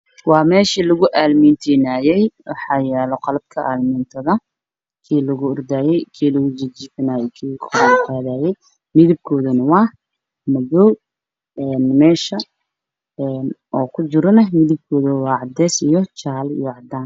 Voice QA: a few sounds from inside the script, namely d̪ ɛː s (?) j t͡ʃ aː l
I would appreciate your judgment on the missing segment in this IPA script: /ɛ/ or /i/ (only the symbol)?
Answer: i